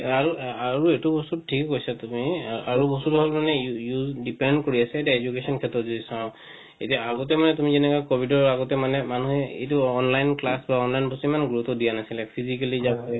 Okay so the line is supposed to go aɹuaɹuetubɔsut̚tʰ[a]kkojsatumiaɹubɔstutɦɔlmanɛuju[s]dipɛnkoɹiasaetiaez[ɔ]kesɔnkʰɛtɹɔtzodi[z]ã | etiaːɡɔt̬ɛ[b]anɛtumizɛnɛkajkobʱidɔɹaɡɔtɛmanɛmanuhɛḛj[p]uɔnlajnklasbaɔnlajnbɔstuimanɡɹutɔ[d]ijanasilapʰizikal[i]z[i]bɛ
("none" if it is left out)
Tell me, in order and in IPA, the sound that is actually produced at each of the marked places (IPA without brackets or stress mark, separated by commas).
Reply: i, z, u, s, m, t, d, i, a